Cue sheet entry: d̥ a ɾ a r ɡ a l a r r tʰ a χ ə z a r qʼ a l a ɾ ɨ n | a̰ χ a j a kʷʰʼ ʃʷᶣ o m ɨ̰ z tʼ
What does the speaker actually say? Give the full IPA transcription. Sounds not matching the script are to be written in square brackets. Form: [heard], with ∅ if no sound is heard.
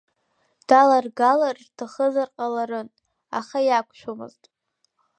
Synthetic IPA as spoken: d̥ a [l] a r ɡ a l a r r tʰ a χ ə z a r qʼ a l a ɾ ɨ n | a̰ χ a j a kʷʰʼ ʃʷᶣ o m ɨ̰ z tʼ